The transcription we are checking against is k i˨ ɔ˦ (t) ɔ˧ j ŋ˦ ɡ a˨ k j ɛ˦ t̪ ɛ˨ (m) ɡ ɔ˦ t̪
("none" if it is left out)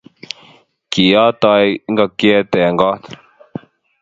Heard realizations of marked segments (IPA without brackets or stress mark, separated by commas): t, ŋ